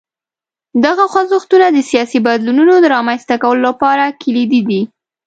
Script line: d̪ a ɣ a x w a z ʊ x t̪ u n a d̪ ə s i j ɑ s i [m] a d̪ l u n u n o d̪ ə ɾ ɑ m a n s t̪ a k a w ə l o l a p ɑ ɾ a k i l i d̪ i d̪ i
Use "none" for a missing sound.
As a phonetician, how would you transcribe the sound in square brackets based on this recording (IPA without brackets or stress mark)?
b